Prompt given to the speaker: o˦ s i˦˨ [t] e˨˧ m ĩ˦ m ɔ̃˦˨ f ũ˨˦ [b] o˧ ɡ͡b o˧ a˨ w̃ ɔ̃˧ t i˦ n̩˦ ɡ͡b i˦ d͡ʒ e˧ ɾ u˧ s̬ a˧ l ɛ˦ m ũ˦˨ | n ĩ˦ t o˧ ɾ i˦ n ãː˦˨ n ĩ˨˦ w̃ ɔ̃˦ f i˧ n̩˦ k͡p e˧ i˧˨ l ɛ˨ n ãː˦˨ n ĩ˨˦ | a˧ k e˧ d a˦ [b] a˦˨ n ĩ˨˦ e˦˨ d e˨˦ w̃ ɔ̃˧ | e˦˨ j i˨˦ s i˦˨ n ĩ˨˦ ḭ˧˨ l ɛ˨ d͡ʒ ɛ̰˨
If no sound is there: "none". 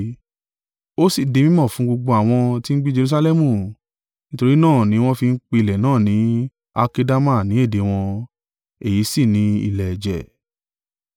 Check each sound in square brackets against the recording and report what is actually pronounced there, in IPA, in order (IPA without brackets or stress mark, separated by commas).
d, ɡ͡b, m